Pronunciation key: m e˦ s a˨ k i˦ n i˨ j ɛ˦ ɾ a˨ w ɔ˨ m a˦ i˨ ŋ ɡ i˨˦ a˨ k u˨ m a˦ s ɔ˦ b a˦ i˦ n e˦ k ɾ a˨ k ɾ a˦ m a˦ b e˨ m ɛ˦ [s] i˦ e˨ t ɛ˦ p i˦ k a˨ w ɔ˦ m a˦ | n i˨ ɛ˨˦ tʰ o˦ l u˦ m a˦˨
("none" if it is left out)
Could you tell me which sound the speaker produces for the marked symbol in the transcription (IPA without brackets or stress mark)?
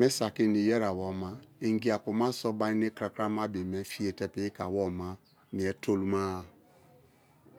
f